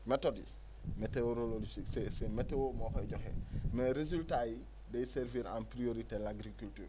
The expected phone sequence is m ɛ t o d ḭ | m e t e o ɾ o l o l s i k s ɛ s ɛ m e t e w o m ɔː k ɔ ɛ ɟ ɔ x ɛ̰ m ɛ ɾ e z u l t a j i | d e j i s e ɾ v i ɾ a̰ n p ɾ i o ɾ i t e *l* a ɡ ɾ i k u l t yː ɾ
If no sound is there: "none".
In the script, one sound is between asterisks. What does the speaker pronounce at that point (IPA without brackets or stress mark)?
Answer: l